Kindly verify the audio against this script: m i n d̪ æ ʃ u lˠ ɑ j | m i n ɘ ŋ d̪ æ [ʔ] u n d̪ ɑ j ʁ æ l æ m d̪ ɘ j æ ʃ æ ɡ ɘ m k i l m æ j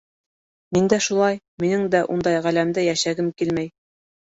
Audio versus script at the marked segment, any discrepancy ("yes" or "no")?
no